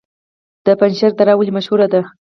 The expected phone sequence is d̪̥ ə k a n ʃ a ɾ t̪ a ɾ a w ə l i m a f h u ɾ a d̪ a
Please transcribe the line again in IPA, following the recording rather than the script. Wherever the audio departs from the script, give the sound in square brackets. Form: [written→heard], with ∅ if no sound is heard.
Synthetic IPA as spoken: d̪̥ ə [k→p] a n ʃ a ɾ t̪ a ɾ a w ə l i m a [f→ʃ] h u ɾ a d̪ a